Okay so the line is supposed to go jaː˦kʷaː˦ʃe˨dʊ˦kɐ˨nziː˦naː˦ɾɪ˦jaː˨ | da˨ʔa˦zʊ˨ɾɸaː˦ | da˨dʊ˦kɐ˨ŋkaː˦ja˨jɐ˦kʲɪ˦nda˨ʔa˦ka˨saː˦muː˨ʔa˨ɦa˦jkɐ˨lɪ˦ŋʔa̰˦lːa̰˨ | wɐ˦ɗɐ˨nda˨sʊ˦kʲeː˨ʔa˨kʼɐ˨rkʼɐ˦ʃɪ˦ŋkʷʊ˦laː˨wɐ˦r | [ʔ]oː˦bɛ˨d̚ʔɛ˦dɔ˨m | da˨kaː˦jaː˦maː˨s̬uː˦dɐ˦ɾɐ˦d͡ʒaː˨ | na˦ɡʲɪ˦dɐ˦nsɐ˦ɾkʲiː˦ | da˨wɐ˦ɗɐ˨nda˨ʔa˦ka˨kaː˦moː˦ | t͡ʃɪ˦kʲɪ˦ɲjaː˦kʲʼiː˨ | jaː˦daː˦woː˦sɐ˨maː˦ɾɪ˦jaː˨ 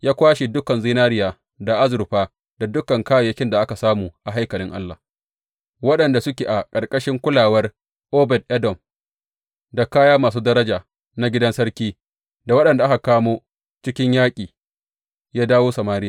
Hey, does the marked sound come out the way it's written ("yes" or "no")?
yes